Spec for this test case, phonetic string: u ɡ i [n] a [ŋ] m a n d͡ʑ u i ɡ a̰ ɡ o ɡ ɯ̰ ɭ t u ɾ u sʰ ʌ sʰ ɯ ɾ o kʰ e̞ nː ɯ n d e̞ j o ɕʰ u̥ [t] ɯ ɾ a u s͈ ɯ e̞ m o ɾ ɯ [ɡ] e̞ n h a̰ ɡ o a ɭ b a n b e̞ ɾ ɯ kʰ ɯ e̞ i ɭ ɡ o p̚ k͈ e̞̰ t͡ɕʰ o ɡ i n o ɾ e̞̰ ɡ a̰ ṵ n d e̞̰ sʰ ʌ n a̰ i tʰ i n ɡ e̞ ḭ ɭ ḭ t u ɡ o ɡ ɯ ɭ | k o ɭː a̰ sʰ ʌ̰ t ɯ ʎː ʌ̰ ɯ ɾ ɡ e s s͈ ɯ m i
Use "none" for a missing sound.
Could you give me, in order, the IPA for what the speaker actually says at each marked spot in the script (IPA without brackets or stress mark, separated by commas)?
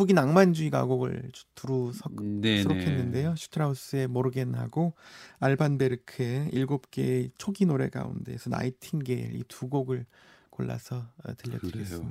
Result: n, ŋ, tʰ, ɡ